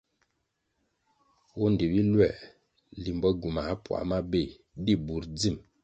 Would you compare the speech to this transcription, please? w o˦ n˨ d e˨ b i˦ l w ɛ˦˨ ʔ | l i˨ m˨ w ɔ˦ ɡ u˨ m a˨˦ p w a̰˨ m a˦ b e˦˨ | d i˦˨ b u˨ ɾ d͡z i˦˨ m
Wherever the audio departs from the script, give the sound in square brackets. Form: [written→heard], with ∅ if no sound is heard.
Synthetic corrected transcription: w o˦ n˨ d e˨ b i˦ l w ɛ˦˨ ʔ | l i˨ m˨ [w→b] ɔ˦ ɡ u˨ m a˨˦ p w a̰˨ m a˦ b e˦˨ | d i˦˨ b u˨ ɾ d͡z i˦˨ m

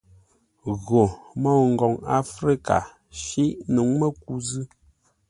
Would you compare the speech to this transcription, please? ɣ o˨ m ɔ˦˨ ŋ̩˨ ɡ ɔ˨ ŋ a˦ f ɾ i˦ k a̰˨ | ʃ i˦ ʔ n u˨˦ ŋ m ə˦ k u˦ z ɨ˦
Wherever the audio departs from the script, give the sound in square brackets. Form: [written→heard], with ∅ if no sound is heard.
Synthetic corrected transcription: ɣ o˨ m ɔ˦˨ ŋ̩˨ ɡ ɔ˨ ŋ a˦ f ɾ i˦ k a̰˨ | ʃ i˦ ʔ n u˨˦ ŋ m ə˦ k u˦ z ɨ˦

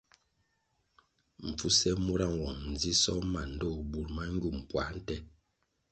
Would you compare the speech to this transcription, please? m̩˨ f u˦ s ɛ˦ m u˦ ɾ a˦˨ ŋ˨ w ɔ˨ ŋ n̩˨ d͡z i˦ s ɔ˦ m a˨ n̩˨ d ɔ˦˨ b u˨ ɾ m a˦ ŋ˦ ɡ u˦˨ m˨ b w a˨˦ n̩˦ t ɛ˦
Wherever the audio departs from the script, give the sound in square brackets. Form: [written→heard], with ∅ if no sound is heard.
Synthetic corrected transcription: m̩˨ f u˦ s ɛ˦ m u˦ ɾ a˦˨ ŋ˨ w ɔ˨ ŋ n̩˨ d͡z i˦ s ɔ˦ m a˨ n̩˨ d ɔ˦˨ b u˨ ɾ m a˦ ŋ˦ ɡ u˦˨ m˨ [b→p] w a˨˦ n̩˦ t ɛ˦

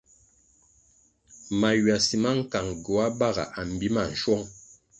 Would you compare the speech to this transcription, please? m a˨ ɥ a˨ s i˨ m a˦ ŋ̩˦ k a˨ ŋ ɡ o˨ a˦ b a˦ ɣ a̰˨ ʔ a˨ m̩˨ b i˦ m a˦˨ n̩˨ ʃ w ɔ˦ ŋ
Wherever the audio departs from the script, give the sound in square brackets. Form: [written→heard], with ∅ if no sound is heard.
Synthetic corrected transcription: m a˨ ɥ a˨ s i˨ m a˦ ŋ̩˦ k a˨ ŋ ɡ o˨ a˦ b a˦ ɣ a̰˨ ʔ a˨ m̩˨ b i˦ m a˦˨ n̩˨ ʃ w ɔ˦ ŋ

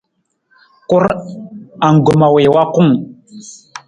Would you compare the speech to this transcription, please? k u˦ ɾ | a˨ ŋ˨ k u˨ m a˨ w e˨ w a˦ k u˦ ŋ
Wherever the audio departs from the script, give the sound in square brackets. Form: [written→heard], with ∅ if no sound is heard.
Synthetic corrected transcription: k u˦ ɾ | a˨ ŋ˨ [k→ɡ] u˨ m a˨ w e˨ w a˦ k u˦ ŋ

